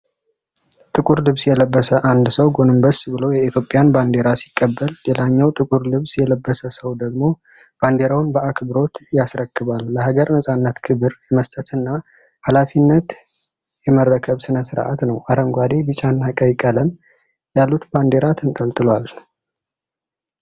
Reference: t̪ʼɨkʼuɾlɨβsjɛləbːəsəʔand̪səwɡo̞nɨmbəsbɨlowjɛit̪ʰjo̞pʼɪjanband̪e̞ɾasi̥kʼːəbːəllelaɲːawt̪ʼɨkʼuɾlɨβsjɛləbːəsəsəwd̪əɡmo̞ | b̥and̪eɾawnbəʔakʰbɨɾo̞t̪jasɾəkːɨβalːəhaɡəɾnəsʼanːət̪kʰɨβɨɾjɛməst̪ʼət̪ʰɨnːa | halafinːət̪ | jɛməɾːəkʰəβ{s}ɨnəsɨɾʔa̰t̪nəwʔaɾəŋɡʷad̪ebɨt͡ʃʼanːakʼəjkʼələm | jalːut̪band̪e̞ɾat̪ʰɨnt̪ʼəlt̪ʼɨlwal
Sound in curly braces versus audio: correct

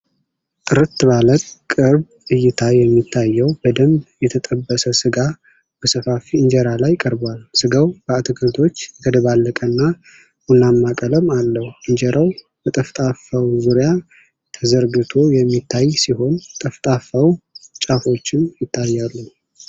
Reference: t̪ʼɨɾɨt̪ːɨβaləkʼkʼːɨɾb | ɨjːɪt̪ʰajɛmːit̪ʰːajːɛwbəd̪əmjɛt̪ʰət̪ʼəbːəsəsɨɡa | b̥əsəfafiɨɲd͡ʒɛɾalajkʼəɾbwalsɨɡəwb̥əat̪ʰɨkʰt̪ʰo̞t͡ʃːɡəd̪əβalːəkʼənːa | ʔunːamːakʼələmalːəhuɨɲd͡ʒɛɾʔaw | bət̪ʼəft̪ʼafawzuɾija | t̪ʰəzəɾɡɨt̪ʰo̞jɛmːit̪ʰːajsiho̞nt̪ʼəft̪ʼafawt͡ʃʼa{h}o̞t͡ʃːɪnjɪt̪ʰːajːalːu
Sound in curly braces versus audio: incorrect: f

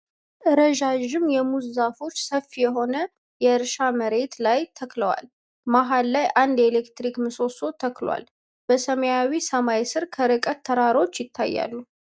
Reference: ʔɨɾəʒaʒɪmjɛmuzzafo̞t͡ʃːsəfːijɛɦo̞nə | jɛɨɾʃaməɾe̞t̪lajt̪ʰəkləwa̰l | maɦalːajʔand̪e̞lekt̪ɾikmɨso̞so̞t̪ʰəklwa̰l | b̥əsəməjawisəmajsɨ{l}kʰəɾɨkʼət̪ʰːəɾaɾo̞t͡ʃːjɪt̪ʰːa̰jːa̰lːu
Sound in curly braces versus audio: incorrect: ɾ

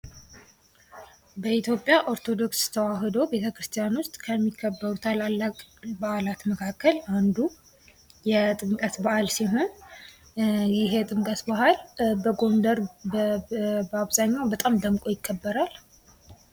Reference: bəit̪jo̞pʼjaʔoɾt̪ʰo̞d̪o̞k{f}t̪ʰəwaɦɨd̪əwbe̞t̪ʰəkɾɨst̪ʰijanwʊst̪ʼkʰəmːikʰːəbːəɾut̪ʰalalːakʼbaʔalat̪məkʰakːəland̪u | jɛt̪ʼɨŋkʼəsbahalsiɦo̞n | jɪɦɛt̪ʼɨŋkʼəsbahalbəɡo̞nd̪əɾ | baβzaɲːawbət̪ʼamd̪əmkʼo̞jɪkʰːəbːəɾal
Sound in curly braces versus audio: incorrect: s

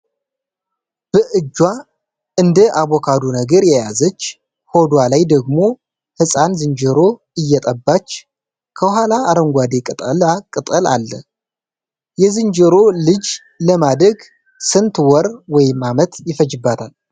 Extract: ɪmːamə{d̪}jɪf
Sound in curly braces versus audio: incorrect: t̪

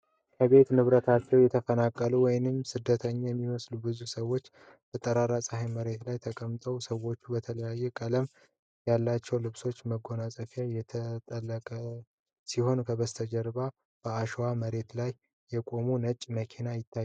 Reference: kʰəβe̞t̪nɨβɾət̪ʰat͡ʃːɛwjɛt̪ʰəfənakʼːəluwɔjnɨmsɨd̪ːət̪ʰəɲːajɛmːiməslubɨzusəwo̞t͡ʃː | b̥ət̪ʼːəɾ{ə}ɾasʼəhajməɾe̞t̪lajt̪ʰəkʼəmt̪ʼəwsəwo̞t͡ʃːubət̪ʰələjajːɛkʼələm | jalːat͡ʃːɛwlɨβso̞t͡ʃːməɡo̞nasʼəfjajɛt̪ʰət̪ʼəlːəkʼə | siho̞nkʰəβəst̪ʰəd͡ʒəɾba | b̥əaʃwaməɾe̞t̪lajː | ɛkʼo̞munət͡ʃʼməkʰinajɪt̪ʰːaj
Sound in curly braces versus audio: incorrect: a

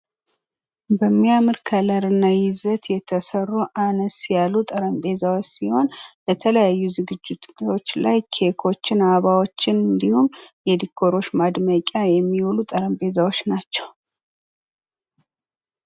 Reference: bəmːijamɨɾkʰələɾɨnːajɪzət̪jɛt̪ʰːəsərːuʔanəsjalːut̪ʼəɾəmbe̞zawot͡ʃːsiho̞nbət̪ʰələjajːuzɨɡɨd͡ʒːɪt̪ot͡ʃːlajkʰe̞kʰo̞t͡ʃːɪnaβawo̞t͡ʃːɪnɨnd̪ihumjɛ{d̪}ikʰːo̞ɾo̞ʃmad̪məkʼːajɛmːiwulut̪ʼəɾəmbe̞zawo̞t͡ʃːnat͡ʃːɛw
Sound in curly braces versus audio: correct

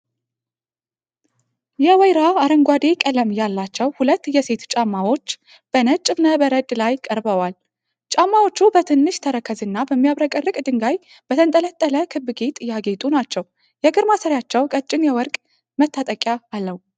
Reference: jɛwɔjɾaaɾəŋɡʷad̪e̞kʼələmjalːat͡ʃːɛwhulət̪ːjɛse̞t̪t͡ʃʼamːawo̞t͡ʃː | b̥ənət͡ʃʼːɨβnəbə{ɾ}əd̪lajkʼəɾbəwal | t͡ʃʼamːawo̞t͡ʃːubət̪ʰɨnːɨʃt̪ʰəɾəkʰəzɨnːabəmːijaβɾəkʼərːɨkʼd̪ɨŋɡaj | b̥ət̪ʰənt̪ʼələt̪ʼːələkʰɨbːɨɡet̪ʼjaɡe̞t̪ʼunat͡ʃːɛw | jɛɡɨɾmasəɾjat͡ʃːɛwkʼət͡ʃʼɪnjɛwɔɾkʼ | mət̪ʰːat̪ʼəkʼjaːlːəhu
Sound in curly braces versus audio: correct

